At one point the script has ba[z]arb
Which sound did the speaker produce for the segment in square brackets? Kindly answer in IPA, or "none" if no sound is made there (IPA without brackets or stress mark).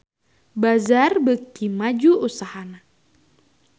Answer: z